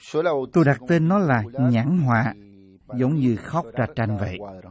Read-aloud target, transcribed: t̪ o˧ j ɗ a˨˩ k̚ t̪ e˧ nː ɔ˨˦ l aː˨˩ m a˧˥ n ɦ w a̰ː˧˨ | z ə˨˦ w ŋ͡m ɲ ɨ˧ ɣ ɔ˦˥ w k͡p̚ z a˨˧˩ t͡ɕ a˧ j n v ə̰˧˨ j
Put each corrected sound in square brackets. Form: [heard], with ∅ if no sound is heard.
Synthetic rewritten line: t̪ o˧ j ɗ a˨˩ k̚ t̪ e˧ nː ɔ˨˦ l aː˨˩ [ɲ] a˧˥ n ɦ w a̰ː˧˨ | z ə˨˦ w ŋ͡m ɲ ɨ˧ [x] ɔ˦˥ w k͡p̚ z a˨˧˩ t͡ɕ a˧ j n v ə̰˧˨ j